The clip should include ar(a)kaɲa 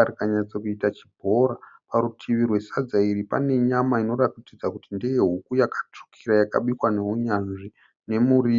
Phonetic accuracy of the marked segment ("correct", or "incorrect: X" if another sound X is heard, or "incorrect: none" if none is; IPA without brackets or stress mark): incorrect: i